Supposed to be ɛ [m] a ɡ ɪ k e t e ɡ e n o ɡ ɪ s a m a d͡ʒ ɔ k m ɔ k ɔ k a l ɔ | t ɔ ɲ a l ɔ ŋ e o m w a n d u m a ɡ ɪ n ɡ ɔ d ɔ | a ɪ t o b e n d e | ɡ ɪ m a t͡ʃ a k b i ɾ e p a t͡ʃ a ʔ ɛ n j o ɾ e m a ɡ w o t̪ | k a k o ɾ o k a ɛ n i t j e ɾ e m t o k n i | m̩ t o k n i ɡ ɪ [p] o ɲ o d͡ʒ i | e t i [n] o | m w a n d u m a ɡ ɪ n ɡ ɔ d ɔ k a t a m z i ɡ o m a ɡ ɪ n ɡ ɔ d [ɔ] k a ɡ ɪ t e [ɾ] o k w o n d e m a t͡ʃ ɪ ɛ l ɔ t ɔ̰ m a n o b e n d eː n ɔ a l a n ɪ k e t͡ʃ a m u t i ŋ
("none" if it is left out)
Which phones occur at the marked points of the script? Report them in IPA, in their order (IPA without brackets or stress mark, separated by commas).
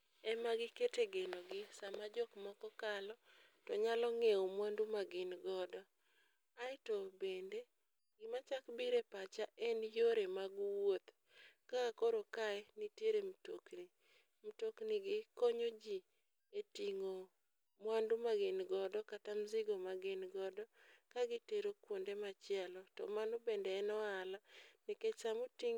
m, k, ŋ, ɔ, ɾ